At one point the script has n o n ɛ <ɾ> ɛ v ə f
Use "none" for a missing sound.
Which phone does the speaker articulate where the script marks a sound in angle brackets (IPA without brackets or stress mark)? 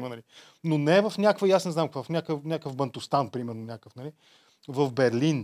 none